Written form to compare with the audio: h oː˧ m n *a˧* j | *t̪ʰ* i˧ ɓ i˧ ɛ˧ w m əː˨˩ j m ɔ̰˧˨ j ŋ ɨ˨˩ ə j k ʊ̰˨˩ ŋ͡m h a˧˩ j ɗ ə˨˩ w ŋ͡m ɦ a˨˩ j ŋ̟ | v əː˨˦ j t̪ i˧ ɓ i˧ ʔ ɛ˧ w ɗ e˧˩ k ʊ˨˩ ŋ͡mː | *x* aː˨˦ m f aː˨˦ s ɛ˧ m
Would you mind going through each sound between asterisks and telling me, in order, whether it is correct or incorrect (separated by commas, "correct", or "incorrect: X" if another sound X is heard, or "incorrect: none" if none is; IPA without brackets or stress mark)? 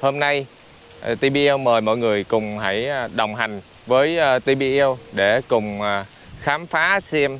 correct, incorrect: t̪, correct